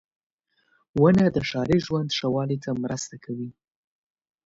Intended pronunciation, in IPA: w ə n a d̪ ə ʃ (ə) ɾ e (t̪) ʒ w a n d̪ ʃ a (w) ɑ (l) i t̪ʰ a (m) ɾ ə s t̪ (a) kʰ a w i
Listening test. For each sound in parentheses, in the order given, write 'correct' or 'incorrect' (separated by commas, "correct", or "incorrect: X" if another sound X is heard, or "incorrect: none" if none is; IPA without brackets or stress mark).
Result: incorrect: ɑ, incorrect: none, correct, correct, correct, correct